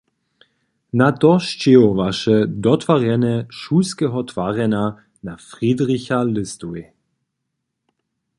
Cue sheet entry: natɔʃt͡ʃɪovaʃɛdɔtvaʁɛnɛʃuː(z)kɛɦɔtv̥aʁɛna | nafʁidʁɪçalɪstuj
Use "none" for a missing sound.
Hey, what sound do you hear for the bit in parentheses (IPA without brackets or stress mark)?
s